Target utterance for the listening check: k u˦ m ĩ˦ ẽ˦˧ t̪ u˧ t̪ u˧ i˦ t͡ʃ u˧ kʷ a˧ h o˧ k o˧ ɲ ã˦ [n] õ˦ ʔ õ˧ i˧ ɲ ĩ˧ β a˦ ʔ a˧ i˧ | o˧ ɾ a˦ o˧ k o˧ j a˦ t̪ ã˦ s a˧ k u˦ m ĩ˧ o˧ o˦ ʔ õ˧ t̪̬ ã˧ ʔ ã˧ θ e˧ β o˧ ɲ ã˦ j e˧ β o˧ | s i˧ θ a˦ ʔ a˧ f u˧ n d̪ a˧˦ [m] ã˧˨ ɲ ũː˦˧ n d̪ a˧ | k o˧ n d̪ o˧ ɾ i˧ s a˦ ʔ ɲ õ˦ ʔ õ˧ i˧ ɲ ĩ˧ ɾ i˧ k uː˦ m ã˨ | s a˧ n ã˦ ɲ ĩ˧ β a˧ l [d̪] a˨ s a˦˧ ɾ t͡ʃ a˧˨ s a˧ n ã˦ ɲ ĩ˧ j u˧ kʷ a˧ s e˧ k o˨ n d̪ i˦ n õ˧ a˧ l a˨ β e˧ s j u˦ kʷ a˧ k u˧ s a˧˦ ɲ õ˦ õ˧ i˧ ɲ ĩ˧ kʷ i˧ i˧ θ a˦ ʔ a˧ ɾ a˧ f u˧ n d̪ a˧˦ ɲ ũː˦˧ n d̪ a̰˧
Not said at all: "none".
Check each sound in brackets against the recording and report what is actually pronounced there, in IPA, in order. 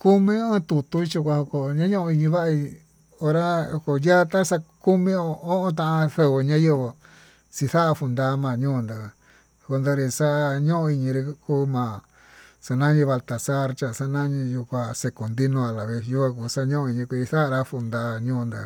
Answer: ɲ, m, t̪

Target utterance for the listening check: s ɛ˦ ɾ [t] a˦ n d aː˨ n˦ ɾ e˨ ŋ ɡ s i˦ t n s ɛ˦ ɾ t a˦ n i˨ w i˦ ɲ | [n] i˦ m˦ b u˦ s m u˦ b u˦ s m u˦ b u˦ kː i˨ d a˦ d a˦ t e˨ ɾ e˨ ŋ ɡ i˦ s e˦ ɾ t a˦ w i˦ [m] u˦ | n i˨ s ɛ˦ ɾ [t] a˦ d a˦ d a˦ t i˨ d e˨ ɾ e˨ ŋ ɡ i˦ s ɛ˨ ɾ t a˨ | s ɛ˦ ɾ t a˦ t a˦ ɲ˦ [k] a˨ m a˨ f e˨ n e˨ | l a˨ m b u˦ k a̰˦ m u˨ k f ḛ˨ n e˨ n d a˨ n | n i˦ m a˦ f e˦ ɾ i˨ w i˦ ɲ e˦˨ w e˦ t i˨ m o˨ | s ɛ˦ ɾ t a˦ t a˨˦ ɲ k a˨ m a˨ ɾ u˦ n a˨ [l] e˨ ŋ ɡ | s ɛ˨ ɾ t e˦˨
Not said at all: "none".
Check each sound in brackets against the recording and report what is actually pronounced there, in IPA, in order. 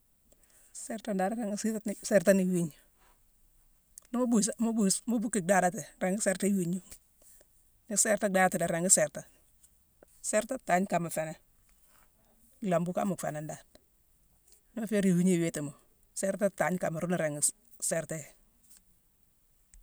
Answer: t, n, ɲ, t, k, ɾ

